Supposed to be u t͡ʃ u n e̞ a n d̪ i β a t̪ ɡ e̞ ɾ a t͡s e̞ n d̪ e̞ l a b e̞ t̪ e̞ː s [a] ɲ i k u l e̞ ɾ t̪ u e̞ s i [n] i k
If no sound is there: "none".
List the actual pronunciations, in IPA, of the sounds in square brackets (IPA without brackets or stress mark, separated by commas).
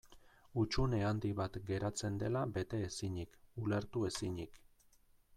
i, ɲ